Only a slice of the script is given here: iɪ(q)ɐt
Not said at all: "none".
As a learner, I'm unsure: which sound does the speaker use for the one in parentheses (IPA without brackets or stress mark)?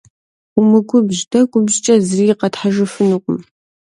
q